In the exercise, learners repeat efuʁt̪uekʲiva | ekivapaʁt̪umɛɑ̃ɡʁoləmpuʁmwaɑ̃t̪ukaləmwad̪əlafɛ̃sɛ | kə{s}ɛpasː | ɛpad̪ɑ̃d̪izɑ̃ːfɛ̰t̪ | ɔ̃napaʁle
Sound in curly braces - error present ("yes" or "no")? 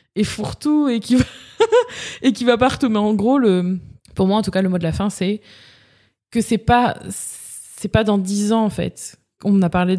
no